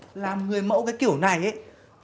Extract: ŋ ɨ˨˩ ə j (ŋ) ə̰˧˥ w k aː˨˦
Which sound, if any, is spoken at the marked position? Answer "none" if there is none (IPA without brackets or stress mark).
m